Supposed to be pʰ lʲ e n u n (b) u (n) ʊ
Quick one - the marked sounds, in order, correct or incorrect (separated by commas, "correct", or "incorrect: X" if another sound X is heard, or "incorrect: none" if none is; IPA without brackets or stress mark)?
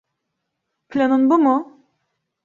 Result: correct, incorrect: m